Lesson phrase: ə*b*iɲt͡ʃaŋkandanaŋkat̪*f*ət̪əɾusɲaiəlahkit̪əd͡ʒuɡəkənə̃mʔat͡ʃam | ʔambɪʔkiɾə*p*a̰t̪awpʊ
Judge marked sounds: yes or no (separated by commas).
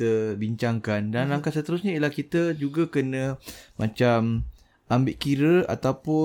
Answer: yes, no, no